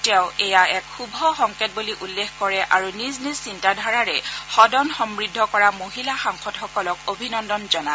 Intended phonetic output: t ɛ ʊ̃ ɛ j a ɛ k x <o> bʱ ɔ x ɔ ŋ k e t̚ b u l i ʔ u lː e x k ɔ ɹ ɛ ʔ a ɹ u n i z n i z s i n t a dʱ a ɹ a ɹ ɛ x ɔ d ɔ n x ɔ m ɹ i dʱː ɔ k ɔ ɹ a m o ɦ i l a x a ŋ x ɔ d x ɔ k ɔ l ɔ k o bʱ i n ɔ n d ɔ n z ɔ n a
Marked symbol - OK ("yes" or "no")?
no